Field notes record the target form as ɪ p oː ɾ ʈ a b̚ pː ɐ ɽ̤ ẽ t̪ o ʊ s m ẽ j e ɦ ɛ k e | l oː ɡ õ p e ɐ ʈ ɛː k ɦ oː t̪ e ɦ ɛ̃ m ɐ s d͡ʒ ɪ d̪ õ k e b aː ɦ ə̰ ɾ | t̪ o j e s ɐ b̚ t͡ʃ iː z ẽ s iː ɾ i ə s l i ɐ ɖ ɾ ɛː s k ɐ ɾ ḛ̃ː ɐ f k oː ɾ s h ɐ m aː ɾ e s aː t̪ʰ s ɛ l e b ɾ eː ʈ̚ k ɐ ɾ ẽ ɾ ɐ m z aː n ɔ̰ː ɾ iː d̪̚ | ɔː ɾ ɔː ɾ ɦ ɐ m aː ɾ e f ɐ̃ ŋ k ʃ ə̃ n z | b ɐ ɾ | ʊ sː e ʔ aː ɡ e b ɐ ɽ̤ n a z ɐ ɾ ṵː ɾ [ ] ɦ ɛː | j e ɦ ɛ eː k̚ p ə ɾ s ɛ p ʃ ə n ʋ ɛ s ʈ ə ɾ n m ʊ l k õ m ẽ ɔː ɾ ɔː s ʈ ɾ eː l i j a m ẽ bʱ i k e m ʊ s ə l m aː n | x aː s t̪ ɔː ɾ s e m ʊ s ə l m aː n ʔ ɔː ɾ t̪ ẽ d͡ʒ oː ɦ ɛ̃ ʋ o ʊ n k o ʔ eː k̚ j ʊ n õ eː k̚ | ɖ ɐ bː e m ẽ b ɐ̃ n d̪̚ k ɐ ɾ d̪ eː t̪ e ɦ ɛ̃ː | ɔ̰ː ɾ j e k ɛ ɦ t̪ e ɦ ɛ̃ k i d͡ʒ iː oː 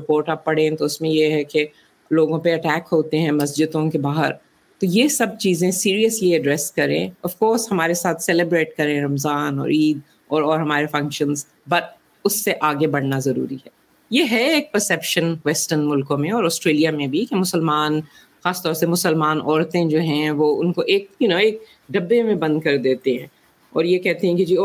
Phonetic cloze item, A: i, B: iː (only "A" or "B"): A